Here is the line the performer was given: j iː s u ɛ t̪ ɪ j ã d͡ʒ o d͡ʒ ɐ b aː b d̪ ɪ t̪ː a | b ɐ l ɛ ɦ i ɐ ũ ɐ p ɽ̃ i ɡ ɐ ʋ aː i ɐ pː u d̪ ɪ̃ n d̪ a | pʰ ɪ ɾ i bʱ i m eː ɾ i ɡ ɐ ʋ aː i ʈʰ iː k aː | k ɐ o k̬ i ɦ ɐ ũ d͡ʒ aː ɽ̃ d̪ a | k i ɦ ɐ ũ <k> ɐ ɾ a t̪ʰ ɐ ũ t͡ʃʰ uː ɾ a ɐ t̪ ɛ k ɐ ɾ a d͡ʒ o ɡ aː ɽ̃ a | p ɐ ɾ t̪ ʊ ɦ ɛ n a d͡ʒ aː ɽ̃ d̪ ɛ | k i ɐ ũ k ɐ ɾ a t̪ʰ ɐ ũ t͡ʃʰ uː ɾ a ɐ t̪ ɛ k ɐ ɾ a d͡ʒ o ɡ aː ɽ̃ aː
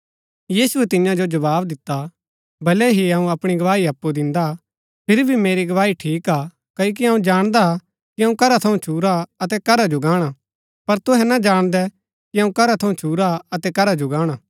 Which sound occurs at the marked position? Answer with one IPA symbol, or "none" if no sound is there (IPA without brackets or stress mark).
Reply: k